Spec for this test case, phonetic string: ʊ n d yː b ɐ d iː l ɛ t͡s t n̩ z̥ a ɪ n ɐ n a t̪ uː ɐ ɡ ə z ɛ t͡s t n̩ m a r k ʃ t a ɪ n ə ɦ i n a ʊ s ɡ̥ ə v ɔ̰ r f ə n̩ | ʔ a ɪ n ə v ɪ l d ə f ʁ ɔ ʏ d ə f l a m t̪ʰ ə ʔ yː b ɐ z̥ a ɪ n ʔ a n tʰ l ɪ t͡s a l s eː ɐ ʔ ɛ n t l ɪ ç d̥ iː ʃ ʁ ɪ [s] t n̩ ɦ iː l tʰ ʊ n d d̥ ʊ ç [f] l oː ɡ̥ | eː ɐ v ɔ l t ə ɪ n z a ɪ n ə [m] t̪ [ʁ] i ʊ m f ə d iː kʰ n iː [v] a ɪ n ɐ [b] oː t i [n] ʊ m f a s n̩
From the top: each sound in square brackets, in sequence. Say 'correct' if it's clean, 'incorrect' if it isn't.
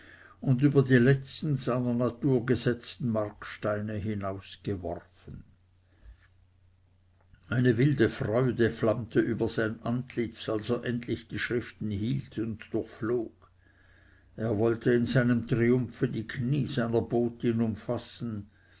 incorrect: f, correct, correct, correct, incorrect: z, correct, correct

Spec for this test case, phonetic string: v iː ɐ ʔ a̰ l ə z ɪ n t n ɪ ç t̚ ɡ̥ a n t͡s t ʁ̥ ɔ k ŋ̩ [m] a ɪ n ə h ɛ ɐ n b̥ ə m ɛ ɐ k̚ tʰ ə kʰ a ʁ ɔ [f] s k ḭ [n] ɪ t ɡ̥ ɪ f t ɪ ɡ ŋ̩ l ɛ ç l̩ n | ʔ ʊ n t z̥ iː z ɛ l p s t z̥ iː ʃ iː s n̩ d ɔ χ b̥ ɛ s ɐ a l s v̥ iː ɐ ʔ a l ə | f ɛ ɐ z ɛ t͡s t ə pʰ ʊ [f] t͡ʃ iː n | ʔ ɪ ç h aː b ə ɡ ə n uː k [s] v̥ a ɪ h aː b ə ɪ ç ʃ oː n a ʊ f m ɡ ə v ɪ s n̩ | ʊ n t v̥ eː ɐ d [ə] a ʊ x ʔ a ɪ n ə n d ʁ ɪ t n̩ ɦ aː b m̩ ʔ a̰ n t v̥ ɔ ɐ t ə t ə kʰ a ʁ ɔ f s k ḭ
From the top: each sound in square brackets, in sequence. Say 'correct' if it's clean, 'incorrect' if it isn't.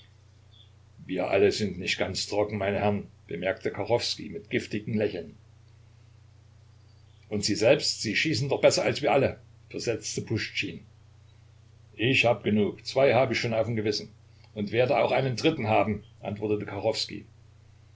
correct, correct, incorrect: m, incorrect: ʃ, incorrect: t͡s, correct

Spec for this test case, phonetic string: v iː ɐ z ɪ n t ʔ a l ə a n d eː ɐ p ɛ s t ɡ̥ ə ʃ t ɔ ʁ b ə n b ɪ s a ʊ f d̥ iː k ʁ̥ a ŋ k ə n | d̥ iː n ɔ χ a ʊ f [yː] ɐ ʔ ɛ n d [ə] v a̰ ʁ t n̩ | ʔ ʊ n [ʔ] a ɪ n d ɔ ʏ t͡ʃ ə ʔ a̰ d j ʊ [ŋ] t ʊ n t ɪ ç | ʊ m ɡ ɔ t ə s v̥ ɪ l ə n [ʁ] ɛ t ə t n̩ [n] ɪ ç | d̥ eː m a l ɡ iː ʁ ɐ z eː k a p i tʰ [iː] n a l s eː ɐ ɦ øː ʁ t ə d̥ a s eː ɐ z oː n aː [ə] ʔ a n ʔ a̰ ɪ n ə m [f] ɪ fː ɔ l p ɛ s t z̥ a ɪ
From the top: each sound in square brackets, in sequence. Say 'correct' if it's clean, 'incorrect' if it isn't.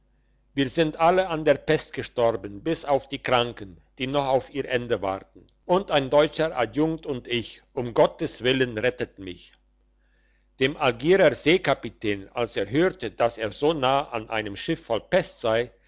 incorrect: iː, correct, incorrect: t, correct, correct, incorrect: m, incorrect: ɛː, correct, incorrect: ʃ

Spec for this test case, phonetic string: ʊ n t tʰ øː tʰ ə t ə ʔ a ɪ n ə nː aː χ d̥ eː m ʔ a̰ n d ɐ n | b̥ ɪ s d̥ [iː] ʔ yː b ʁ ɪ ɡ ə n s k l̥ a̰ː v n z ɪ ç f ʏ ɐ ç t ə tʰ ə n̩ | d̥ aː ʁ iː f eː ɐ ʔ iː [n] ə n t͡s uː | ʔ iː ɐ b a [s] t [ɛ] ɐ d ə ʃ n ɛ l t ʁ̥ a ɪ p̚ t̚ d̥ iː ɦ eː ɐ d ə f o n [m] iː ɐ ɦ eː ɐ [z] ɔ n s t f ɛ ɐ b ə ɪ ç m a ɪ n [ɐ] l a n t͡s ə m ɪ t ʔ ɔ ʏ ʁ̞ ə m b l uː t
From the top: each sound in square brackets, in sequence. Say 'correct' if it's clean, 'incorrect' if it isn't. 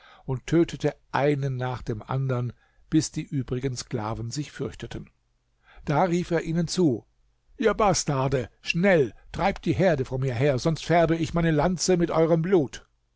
correct, correct, correct, incorrect: a, correct, correct, incorrect: ə

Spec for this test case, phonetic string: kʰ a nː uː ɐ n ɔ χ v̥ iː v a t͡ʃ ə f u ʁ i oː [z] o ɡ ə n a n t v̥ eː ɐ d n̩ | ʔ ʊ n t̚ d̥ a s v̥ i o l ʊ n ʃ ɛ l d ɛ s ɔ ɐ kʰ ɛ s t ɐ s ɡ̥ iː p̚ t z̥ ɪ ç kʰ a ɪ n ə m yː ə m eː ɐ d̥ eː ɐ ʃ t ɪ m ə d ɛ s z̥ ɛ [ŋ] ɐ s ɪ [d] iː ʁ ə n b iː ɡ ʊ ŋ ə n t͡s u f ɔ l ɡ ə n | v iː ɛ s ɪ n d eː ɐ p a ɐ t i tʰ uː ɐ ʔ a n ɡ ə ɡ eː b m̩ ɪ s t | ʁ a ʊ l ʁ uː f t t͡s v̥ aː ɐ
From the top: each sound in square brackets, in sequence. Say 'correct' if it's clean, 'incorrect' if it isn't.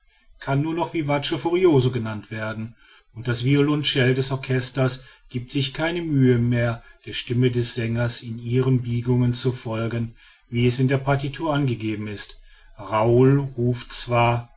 correct, correct, incorrect: n

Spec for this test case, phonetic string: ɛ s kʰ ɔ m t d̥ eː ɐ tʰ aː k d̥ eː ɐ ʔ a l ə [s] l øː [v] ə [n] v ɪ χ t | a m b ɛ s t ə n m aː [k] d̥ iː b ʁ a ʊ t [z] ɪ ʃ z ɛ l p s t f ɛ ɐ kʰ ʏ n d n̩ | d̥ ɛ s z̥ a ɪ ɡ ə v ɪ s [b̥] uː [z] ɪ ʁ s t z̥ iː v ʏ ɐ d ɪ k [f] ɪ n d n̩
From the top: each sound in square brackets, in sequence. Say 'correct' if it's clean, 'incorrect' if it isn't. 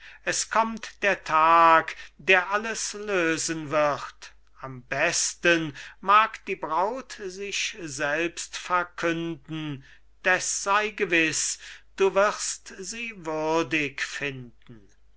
correct, incorrect: z, correct, correct, correct, incorrect: d̥, incorrect: v, correct

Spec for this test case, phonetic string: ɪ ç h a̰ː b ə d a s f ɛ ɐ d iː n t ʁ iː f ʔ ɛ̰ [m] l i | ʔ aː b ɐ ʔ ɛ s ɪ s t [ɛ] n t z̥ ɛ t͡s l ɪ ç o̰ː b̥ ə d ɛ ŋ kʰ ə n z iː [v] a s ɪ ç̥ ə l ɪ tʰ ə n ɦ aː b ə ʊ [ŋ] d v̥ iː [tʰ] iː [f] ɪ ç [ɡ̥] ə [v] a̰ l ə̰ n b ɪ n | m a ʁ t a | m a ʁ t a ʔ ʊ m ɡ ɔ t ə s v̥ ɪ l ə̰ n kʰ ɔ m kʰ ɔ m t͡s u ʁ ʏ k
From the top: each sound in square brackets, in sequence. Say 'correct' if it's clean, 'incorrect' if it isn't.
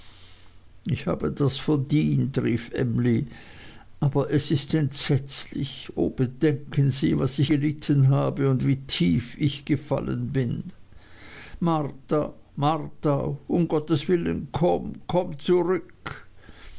correct, correct, correct, incorrect: n, correct, correct, correct, incorrect: f

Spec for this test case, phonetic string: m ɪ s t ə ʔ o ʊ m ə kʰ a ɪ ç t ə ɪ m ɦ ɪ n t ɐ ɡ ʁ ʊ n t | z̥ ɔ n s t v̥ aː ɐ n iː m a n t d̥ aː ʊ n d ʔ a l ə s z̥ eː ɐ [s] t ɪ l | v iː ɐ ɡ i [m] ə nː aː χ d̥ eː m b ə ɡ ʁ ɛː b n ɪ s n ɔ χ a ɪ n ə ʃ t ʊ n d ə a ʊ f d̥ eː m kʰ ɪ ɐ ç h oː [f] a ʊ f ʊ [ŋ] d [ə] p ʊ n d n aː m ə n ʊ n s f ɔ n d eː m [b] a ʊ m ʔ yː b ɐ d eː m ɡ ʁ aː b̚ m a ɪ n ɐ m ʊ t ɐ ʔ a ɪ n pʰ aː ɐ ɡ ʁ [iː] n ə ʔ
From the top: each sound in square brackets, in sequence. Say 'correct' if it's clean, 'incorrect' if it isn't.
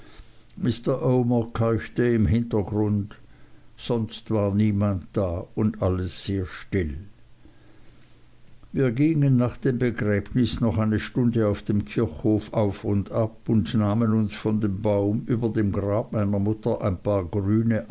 incorrect: ʃ, incorrect: ŋ, correct, incorrect: n, incorrect: a, correct, incorrect: yː

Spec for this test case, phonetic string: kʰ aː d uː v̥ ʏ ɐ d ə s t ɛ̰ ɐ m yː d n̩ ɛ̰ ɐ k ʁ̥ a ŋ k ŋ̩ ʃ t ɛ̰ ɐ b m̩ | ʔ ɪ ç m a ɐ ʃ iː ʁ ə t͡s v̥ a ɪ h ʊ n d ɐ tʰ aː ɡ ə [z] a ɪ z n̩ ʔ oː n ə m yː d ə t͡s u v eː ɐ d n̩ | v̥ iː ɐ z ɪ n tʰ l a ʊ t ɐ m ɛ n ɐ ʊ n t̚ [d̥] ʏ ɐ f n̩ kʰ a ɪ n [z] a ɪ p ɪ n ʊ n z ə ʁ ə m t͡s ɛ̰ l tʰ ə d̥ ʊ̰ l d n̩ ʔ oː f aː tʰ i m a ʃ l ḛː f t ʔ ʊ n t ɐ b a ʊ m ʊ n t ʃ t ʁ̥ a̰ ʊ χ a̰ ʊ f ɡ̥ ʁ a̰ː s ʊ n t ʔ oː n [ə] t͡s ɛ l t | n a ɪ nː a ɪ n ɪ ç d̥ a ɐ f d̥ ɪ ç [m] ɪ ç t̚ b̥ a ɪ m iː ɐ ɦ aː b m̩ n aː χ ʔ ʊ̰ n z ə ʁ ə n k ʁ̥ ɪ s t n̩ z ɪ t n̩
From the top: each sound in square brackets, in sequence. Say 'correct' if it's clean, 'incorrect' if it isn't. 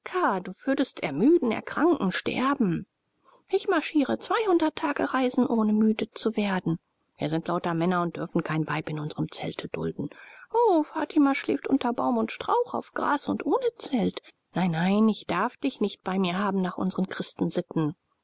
incorrect: ʁ, correct, incorrect: v, correct, incorrect: n

